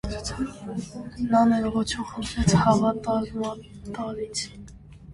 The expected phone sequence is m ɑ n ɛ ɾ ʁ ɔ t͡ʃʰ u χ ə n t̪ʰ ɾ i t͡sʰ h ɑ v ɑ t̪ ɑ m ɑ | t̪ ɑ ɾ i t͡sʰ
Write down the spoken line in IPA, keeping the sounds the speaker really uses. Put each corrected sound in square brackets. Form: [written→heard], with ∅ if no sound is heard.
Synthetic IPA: [m→n] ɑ n ɛ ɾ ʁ ɔ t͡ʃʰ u χ ə n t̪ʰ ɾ [i→ɛ] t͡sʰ h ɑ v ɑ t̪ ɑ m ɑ | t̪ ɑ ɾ i t͡sʰ